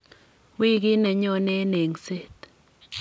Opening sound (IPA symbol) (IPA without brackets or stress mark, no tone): w